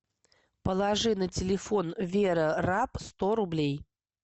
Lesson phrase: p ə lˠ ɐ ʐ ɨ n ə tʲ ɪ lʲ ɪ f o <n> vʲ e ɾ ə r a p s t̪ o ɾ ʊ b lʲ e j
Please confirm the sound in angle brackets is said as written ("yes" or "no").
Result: yes